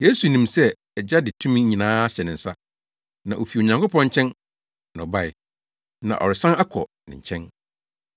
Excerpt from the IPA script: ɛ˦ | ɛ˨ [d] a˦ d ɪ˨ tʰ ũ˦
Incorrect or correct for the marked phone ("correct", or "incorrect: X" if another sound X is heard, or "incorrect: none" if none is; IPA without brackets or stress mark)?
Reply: incorrect: d͡ʑ